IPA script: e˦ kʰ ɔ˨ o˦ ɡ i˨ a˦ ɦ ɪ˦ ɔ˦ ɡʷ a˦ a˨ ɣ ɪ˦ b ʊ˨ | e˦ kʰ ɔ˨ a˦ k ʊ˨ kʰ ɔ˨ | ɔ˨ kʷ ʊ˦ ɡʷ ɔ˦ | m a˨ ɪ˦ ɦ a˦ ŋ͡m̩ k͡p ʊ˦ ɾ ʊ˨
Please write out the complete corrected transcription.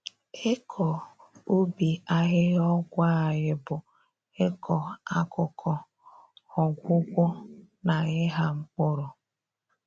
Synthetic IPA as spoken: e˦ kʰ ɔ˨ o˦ b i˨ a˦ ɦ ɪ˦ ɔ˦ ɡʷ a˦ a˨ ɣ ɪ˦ b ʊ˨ | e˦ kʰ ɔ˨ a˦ k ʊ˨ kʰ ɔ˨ | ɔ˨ ɡʷ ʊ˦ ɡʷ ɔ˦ | n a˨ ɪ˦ ɦ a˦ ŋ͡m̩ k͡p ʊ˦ ɾ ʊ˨